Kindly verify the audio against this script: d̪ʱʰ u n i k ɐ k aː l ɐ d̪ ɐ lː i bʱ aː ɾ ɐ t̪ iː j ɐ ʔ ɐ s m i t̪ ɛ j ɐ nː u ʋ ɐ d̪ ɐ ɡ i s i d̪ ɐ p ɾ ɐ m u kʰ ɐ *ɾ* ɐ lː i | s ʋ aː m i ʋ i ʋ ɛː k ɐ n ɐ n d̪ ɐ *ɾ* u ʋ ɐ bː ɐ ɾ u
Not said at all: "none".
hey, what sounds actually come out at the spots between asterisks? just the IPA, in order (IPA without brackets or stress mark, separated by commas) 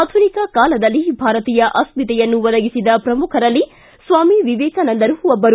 ɾ, ɾ